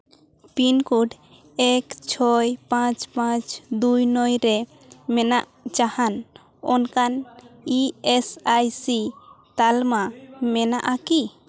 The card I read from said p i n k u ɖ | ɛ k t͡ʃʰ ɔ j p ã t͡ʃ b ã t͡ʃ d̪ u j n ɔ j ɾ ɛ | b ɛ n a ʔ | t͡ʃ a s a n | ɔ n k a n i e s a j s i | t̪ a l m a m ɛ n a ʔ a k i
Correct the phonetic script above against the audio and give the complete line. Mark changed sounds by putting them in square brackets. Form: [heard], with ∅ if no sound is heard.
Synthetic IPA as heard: p i n k u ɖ | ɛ k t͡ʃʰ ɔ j p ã t͡ʃ [p] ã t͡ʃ d̪ u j n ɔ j ɾ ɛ | [m] ɛ n a ʔ | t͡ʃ a [h] a n | ɔ n k a n i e s a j s i | t̪ a l m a m ɛ n a ʔ a k i